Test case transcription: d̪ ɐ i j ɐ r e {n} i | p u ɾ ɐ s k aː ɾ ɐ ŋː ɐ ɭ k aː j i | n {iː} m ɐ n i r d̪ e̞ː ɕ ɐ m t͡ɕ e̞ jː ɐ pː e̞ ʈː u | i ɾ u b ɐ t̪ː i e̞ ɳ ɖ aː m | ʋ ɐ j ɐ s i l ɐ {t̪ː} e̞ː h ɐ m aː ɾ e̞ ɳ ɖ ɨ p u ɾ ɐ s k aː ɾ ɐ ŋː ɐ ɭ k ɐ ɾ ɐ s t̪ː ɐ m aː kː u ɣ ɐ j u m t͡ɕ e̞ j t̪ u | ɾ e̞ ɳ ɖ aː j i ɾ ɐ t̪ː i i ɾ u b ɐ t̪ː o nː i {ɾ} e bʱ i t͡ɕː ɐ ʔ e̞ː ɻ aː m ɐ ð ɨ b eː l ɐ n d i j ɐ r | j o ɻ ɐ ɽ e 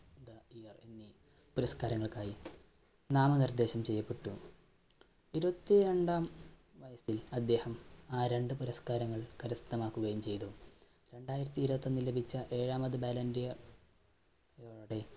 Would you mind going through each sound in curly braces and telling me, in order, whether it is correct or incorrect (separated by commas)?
incorrect, incorrect, incorrect, incorrect